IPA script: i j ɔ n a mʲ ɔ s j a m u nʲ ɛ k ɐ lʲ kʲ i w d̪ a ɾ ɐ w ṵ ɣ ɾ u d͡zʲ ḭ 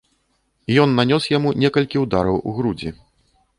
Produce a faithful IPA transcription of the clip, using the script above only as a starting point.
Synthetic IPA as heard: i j ɔ nː a nʲ ɔ s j a m u nʲ ɛ k ɐ lʲ kʲ i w d̪ a ɾ ɐ w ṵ ɣ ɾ u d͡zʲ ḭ